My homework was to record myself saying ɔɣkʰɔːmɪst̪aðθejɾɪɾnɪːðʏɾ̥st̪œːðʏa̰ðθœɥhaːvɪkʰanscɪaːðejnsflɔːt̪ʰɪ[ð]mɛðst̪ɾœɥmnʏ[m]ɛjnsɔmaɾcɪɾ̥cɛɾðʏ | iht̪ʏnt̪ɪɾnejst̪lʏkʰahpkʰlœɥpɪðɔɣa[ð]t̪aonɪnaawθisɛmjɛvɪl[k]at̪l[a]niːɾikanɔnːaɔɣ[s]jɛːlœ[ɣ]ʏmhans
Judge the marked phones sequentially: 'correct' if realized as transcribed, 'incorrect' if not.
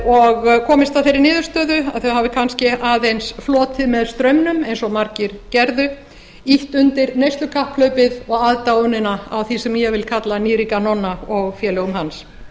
correct, correct, correct, incorrect: kʰ, correct, incorrect: f, correct

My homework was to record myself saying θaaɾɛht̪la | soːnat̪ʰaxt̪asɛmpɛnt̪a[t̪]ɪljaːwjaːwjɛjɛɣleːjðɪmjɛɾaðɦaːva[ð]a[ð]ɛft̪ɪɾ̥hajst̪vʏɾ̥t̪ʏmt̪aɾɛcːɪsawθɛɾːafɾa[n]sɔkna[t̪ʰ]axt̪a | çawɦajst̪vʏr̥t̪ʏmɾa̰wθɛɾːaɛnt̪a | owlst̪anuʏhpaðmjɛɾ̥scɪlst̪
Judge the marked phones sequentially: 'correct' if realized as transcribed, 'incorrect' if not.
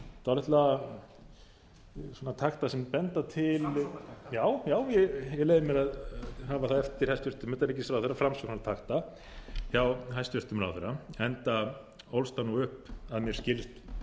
incorrect: t̪ʰ, incorrect: θ, correct, incorrect: m, correct

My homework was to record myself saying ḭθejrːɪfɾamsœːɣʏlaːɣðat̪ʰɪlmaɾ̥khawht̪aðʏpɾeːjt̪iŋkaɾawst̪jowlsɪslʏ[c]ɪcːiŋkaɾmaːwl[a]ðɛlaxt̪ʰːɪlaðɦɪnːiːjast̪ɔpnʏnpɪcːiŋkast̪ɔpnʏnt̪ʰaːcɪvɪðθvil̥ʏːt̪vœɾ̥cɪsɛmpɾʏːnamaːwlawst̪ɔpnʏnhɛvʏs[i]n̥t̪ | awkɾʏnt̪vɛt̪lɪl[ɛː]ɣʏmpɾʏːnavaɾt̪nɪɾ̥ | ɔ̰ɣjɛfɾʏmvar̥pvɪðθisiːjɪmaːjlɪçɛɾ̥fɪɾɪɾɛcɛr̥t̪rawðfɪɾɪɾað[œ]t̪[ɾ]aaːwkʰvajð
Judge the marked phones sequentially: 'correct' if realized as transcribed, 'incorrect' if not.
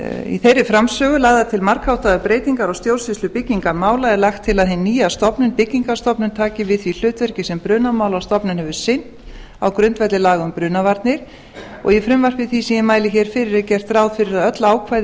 incorrect: p, correct, incorrect: ɪ, incorrect: aː, correct, incorrect: l

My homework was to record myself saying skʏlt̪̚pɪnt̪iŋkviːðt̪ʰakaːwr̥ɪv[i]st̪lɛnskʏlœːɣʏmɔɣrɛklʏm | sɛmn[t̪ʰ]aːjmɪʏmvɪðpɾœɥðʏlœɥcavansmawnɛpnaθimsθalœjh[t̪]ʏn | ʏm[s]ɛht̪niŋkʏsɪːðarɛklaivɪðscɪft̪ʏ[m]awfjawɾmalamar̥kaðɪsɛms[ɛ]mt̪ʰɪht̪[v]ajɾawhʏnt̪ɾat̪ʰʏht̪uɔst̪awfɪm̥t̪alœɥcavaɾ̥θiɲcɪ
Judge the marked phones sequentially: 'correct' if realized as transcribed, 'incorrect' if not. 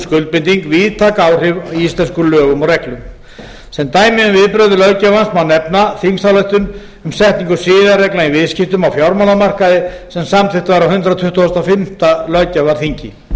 correct, incorrect: t̪, correct, correct, correct, incorrect: a, correct

